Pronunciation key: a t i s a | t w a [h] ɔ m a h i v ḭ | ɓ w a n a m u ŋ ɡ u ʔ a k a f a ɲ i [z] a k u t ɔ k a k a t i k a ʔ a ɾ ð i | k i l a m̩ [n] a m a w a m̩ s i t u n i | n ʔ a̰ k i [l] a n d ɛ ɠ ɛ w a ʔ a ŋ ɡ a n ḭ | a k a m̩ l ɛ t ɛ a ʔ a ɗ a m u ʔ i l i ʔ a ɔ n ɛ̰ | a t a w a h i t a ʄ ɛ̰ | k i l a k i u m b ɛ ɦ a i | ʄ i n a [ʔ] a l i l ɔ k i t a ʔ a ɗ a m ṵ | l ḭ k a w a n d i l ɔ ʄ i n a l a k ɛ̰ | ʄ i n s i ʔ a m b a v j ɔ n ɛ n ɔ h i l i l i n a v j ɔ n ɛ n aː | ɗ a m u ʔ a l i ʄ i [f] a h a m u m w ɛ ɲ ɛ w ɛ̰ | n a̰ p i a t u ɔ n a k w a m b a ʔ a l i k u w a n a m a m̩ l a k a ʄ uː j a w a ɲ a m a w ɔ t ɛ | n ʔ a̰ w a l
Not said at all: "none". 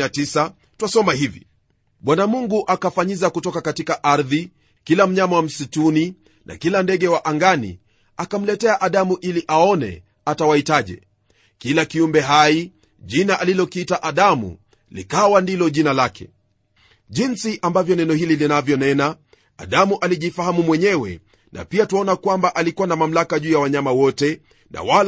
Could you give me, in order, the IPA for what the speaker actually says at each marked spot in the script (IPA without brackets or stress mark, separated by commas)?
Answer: s, z, ɲ, l, ʔ, f